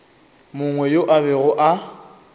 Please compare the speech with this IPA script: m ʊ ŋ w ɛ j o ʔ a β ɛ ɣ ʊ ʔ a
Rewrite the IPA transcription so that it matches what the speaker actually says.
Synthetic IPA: m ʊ ŋ w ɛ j o ʔ a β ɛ ɣ ʊ ʔ a